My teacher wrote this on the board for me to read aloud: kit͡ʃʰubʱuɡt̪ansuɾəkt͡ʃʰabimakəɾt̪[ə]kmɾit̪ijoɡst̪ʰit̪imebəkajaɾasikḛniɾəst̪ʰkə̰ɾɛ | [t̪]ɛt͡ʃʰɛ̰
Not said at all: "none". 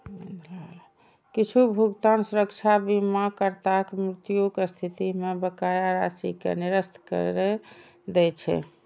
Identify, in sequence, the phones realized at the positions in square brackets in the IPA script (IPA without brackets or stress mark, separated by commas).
a, d̪